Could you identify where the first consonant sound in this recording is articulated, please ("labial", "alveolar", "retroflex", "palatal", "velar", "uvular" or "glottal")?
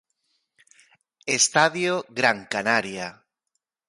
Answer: alveolar